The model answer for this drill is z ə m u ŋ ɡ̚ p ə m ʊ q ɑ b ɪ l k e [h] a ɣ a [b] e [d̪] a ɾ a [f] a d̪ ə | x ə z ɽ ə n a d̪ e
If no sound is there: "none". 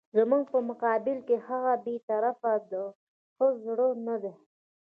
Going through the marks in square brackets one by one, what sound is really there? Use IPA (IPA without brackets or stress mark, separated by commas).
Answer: h, b, t̪, f